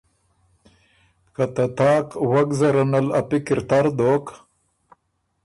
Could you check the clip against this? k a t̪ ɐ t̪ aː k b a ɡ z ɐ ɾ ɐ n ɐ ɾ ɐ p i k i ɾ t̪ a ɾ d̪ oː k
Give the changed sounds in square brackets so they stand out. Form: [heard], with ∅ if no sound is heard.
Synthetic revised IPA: k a t̪ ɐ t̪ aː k [w] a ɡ z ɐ ɾ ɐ n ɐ [l] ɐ p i k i ɾ t̪ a ɾ d̪ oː k